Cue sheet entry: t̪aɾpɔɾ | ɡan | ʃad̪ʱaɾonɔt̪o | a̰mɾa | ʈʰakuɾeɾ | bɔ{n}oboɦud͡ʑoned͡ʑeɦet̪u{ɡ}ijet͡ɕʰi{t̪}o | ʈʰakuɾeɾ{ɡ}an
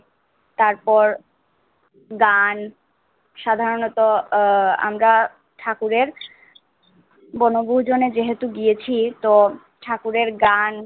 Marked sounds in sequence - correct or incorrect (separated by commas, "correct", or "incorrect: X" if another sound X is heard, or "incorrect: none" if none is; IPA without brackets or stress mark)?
correct, correct, correct, correct